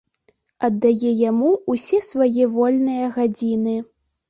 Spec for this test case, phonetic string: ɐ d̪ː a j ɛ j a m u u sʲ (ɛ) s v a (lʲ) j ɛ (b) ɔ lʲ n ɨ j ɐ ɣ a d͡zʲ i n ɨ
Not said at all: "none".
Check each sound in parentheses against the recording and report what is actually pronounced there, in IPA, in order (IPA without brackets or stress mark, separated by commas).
ɛ, none, v